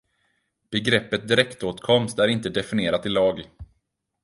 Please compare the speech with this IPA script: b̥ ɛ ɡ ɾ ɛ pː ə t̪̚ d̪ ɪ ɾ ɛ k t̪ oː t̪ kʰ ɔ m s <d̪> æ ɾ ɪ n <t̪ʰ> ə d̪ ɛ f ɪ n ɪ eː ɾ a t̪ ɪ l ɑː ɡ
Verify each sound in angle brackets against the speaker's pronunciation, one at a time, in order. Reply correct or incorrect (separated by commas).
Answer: incorrect, incorrect